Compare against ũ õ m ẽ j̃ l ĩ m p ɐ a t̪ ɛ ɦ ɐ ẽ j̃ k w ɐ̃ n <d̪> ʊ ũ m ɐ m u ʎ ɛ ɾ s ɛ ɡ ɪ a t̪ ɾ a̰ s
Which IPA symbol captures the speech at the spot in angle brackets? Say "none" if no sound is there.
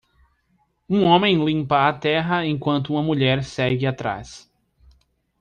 t̪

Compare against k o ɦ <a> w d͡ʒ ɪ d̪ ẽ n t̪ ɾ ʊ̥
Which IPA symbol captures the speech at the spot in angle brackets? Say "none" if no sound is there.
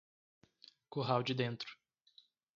a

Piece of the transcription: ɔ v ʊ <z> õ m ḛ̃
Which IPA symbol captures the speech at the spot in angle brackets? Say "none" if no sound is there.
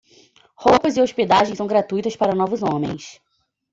z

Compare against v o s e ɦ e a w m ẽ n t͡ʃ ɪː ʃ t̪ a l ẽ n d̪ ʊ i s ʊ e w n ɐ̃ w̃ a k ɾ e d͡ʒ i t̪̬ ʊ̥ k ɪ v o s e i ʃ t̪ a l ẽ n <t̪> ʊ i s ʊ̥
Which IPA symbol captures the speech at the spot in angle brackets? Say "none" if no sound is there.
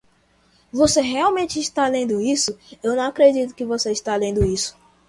d̪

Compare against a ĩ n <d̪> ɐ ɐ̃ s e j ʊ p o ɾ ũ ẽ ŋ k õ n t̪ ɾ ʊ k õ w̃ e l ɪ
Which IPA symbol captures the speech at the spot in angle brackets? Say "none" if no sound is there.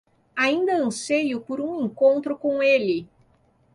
d̪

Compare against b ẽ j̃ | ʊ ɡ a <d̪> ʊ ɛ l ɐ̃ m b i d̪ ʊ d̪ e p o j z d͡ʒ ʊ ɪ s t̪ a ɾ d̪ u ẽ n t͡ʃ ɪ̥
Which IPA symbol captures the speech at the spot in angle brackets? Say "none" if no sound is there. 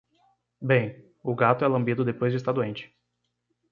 t̪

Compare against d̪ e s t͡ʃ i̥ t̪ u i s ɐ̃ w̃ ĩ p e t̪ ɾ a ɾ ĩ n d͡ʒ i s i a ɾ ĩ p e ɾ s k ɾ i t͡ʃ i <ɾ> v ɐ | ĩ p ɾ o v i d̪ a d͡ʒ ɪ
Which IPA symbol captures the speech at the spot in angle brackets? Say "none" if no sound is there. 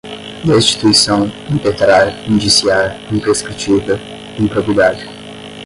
none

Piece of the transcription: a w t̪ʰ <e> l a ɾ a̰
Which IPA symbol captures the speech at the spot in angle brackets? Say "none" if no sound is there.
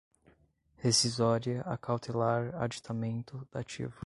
e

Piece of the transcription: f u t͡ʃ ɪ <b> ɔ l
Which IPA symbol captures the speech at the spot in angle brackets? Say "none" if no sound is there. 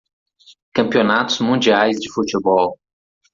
b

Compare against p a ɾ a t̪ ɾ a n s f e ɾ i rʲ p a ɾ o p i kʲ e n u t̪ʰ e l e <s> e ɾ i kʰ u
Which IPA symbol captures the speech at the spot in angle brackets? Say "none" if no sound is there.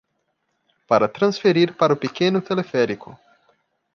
f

